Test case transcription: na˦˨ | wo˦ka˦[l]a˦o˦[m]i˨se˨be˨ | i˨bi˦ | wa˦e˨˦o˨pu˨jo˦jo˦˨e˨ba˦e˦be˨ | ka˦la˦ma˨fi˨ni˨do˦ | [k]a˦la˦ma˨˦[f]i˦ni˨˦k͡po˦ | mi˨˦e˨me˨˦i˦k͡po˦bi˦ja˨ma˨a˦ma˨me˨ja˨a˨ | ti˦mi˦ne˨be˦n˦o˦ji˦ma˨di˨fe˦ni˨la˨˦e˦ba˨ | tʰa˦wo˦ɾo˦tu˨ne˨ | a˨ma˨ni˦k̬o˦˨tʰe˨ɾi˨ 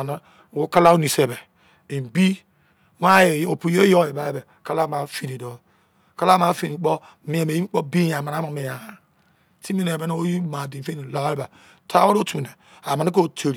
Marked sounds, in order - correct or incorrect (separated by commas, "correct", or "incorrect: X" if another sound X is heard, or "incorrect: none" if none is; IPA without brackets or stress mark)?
correct, incorrect: n, correct, correct